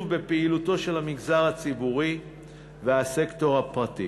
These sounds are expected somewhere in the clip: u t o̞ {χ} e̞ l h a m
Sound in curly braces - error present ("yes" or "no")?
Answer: yes